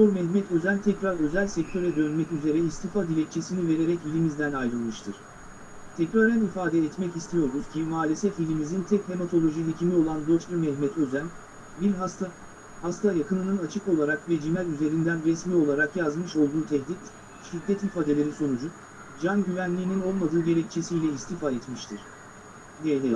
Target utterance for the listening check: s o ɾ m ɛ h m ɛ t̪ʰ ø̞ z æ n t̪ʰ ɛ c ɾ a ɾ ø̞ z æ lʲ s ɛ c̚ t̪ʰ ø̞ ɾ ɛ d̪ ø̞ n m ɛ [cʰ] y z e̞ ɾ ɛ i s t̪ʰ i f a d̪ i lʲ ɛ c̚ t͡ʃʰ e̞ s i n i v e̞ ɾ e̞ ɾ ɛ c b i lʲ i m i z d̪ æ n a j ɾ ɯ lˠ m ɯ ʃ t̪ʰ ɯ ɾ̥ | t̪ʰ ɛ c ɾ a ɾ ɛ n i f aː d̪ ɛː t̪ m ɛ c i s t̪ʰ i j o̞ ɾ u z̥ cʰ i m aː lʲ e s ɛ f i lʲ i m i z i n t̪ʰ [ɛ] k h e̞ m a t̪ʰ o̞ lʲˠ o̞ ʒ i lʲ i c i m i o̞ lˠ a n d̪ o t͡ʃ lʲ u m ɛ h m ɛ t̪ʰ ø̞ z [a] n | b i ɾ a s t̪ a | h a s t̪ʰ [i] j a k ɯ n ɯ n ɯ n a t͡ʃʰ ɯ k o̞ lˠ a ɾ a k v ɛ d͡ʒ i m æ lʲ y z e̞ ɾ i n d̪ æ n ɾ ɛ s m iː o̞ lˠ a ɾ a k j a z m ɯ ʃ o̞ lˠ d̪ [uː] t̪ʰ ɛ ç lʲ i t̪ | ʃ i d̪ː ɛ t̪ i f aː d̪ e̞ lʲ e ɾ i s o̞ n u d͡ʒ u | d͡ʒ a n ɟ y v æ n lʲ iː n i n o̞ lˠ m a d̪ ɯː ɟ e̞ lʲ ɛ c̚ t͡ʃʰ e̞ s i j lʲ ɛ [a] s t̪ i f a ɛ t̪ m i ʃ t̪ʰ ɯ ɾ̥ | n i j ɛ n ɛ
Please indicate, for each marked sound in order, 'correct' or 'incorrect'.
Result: incorrect, correct, incorrect, incorrect, correct, incorrect

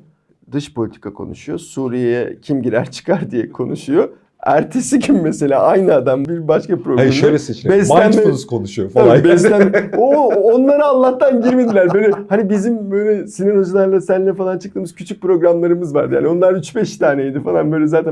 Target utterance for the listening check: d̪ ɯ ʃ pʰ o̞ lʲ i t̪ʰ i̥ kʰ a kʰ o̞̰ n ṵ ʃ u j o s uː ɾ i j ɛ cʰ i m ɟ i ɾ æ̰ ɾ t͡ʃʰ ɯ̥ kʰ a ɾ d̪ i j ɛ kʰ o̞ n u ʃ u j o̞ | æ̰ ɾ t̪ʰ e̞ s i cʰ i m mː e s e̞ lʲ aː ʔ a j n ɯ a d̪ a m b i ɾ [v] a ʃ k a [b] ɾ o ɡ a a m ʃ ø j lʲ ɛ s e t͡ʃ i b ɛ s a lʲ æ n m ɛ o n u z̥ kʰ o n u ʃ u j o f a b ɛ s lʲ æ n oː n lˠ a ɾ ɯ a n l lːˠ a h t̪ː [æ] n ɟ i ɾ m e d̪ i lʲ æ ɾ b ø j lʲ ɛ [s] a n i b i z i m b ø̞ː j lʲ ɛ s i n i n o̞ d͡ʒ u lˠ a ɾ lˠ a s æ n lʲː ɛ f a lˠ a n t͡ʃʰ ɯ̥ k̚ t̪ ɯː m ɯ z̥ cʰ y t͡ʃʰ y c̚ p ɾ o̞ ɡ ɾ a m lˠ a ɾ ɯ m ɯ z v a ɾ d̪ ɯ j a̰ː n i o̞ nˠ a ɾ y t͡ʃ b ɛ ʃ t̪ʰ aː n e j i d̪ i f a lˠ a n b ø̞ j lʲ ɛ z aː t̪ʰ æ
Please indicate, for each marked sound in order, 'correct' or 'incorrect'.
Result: incorrect, incorrect, incorrect, incorrect

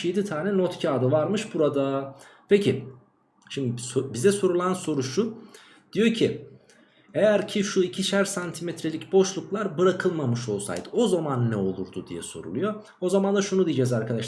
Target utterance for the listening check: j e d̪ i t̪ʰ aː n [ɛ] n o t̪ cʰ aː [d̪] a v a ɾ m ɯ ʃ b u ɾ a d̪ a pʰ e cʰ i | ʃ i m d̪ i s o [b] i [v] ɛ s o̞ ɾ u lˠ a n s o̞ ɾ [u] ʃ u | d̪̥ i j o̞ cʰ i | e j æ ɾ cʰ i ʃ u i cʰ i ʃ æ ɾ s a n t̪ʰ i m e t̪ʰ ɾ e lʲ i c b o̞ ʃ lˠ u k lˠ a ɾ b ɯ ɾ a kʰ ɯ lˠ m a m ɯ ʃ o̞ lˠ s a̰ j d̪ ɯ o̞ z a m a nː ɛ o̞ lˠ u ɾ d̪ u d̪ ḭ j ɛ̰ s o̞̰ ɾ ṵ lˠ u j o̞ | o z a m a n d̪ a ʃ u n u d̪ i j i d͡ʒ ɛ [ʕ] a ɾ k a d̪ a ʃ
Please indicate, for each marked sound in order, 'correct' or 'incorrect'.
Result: correct, correct, correct, incorrect, correct, incorrect

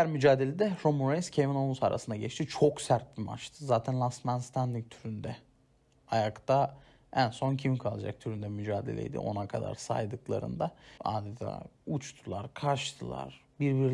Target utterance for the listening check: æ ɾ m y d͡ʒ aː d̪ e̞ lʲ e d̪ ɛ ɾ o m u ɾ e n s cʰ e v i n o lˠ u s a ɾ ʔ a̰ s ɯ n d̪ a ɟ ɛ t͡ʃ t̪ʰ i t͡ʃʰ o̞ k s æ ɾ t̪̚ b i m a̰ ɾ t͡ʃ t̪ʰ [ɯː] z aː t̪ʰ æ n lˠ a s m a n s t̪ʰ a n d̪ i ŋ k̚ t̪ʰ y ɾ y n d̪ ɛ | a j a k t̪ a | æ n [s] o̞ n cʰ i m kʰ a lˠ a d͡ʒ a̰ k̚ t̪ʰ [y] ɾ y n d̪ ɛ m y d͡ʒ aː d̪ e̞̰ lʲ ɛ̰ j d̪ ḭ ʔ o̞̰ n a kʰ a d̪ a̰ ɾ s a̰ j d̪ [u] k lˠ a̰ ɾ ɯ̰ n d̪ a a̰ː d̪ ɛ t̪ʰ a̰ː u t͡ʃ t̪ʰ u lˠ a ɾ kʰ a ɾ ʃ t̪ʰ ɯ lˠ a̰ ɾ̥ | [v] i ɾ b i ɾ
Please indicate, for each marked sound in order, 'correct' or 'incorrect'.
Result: incorrect, correct, correct, incorrect, incorrect

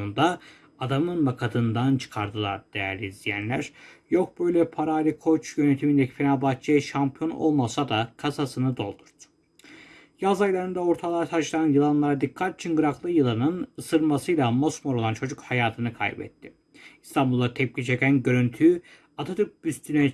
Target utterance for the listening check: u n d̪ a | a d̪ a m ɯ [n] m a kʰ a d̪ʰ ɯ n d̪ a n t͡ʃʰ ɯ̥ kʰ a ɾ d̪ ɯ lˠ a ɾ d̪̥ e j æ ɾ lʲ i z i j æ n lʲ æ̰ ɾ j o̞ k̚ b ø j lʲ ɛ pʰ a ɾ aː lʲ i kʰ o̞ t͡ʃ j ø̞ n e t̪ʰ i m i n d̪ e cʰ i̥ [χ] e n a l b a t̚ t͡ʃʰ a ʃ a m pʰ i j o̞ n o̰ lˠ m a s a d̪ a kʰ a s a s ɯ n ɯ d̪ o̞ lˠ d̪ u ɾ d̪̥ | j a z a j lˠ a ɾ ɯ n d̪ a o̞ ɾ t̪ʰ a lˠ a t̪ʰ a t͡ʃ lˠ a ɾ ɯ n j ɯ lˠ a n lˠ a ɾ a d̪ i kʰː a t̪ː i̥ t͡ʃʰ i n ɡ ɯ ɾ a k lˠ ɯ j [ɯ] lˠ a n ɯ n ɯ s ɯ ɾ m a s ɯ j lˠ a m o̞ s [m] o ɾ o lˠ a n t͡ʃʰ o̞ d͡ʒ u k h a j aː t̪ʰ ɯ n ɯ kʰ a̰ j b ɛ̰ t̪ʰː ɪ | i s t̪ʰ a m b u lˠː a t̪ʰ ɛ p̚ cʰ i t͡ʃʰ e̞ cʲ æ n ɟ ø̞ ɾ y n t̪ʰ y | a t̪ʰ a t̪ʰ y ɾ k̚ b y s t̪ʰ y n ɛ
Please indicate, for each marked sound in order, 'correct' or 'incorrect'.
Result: correct, incorrect, correct, correct

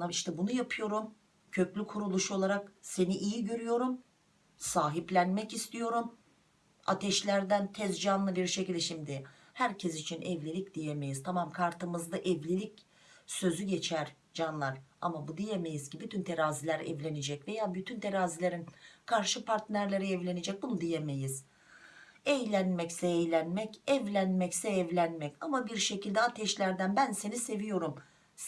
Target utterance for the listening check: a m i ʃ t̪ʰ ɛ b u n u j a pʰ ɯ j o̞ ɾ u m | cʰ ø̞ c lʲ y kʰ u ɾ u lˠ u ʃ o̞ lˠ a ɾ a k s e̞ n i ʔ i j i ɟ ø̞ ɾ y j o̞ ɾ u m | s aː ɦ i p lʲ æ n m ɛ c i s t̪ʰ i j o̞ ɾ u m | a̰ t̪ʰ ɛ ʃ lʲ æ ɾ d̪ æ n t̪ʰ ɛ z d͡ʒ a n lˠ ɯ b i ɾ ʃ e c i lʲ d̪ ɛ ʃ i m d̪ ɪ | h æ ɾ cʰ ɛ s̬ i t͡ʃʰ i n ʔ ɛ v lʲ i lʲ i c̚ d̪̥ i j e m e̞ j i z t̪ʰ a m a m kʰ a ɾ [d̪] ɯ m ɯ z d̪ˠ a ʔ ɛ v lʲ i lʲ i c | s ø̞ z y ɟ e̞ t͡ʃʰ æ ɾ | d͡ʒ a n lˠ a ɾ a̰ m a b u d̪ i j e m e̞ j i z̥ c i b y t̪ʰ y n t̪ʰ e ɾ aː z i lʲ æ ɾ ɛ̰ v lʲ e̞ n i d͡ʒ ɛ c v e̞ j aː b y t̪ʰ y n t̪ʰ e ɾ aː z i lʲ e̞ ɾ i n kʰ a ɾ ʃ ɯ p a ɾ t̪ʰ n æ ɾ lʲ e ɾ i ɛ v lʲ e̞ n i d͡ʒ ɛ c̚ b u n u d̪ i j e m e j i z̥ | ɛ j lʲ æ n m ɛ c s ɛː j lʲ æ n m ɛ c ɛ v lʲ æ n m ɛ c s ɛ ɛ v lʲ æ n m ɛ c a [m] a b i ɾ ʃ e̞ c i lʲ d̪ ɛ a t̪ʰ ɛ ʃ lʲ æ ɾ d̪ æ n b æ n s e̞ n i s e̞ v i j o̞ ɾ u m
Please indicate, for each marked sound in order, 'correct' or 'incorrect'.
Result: incorrect, correct

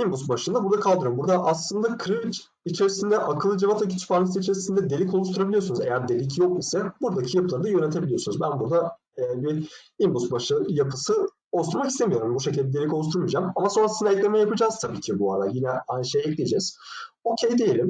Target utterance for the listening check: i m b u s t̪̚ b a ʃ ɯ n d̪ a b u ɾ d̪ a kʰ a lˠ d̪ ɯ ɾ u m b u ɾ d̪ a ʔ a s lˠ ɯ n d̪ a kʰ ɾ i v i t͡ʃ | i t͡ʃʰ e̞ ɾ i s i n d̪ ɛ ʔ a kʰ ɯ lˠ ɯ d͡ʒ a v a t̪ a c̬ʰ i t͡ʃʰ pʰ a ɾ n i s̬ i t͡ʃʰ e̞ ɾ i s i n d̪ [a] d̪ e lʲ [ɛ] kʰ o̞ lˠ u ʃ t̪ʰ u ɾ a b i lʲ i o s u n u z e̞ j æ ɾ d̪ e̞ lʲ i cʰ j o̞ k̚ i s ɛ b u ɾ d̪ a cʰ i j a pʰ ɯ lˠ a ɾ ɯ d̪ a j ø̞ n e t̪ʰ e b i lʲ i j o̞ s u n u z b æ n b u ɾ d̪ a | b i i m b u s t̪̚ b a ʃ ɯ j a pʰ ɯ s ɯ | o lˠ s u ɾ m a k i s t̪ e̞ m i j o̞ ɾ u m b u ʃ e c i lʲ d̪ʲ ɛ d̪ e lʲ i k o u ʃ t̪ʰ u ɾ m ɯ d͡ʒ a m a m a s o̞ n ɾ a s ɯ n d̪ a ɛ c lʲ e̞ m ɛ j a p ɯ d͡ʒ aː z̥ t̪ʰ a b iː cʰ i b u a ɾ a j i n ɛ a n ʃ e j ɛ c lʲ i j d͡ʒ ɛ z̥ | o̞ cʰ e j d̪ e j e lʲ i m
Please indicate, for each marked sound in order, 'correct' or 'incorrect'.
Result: incorrect, incorrect

